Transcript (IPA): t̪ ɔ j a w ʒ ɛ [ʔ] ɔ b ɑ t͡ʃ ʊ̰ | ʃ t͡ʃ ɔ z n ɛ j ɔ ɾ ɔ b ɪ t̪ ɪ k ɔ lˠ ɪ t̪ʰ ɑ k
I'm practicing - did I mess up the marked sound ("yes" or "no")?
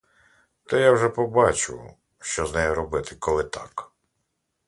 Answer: yes